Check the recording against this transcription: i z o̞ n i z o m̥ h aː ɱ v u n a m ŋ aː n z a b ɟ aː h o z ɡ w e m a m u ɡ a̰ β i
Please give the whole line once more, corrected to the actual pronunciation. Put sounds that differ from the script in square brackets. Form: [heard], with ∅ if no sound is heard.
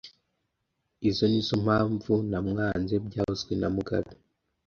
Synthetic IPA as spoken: i z o̞ n i z o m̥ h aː ɱ v u n a m ŋ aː n z [e] b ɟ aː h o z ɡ w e [n] a m u ɡ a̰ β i